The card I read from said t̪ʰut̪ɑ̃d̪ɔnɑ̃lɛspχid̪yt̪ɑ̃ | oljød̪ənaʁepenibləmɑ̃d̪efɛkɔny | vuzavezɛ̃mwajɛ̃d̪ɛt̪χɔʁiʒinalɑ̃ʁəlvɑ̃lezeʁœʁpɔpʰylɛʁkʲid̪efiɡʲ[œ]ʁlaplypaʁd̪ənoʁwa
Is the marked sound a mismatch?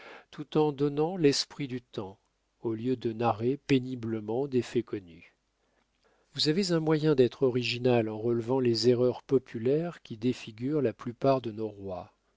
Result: yes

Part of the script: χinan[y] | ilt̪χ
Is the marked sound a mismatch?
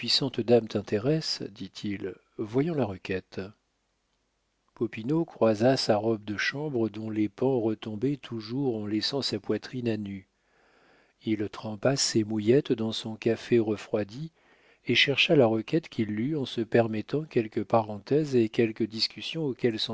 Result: no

